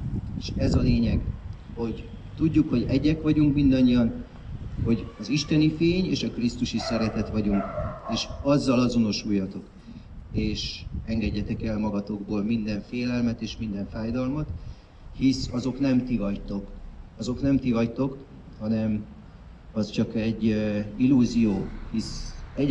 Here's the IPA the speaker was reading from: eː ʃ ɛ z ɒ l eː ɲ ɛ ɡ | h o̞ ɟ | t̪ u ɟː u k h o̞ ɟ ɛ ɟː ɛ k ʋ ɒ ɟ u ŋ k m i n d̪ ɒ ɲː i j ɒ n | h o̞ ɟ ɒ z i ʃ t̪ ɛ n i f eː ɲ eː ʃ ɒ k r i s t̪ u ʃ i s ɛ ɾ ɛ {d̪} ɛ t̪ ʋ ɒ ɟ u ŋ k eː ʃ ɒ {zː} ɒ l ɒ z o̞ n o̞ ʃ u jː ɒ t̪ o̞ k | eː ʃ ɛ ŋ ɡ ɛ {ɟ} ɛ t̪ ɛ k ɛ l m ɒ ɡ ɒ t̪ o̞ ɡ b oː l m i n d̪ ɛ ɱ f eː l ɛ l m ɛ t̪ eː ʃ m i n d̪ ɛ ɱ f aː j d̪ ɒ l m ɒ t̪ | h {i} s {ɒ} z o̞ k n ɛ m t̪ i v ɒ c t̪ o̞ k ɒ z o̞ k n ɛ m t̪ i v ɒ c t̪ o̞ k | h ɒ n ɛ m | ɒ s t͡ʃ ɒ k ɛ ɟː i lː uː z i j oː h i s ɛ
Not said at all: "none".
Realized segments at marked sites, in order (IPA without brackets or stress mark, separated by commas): t̪, zː, ɟː, i, ɒ